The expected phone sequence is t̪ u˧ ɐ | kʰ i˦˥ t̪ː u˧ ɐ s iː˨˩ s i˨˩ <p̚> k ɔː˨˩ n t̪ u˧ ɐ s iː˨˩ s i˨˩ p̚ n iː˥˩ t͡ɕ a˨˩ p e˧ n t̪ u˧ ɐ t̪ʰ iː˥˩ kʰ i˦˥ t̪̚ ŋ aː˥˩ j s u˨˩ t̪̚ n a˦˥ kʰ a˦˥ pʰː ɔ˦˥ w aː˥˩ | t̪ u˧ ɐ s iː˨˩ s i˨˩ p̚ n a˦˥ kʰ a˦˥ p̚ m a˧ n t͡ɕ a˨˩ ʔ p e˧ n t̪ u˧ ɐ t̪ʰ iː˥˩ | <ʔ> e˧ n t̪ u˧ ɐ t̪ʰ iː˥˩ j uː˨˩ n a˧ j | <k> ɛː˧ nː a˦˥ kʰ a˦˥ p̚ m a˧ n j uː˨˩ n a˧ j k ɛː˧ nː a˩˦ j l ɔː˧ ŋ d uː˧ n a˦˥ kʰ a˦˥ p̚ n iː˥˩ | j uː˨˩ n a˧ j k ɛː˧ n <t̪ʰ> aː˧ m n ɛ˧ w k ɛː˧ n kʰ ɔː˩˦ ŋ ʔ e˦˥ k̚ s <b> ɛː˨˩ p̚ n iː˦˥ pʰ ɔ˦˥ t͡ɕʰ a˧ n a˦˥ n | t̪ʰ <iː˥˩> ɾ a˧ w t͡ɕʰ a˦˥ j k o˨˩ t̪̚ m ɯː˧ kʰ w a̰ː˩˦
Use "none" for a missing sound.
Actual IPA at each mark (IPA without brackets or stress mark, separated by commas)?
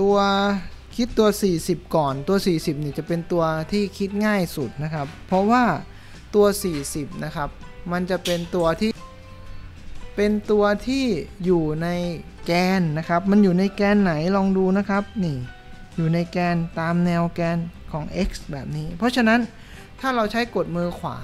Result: p̚, p, k, t̪, b, aː˥˩